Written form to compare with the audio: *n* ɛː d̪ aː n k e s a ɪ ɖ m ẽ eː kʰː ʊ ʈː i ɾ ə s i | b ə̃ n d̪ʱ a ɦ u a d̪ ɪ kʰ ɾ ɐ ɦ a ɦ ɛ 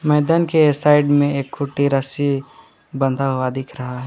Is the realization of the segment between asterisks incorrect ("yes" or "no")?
yes